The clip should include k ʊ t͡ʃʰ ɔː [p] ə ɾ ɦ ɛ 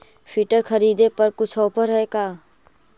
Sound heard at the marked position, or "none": p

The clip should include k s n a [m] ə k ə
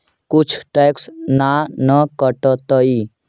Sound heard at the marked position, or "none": n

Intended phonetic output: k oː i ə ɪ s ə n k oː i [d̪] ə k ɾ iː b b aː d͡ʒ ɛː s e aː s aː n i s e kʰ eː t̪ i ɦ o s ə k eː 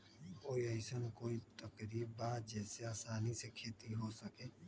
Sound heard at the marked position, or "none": t̪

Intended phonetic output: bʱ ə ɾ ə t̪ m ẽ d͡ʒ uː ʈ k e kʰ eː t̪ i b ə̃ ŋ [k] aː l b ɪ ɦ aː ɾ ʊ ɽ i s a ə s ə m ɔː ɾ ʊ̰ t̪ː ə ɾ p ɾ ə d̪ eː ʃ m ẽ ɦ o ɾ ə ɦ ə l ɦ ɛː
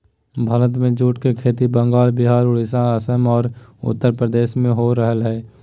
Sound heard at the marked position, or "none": ɡ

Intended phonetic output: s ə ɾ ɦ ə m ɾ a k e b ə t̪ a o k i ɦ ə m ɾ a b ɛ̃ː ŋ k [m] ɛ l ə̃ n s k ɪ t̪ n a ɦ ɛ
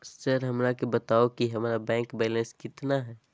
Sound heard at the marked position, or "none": b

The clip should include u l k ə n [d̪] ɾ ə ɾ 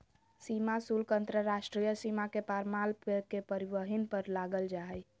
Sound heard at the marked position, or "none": t̪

